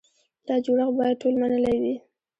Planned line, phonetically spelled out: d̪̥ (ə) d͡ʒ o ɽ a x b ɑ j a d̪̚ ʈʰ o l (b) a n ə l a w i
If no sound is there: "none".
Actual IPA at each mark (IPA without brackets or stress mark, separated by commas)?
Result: ɑ, m